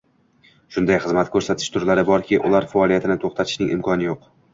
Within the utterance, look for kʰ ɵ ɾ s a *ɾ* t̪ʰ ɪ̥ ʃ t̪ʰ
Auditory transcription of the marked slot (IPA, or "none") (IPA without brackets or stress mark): none